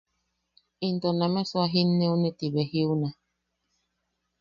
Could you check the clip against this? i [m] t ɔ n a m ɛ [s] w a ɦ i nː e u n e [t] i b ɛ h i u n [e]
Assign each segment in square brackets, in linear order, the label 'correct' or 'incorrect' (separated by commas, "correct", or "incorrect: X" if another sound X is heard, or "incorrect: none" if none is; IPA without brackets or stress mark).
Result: incorrect: n, correct, correct, incorrect: a